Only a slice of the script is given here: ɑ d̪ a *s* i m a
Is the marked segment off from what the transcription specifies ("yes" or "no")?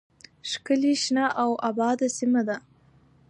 no